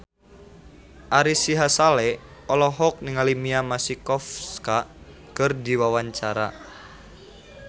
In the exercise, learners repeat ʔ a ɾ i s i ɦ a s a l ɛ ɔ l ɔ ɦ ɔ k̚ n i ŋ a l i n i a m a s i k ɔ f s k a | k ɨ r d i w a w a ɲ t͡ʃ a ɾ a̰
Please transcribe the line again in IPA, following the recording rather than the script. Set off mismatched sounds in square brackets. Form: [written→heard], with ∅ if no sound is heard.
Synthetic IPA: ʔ a ɾ i s i ɦ a s a l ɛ ɔ l ɔ ɦ ɔ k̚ n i ŋ a l i [n→m] i a m a s i k ɔ f s k a | k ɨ r d i w a w a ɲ t͡ʃ a ɾ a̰